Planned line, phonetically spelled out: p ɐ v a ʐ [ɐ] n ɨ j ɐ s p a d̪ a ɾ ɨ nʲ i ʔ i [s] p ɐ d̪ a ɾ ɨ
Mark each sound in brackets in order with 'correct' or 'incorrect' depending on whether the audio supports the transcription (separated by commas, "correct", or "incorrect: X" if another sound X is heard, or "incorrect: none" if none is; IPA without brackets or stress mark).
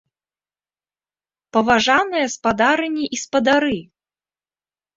incorrect: a, correct